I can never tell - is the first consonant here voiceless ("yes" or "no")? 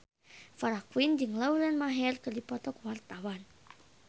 yes